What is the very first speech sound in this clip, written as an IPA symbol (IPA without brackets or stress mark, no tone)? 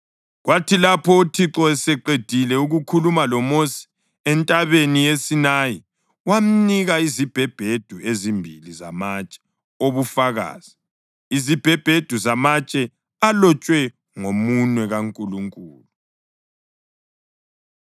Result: ɣ